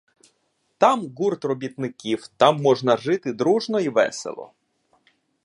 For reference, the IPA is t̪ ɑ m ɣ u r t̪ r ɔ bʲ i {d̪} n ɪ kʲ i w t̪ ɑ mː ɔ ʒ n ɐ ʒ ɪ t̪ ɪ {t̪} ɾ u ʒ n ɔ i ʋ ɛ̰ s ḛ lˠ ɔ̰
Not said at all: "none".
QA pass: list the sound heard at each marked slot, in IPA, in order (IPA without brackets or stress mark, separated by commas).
t̪, d̪